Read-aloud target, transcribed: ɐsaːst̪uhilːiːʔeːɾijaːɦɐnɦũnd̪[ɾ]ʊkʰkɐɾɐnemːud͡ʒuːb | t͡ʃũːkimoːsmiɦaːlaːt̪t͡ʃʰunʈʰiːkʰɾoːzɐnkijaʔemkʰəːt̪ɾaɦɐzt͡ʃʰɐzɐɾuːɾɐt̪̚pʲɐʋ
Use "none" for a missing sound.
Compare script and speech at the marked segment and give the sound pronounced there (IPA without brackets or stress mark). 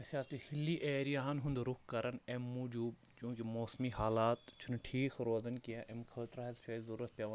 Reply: ɾ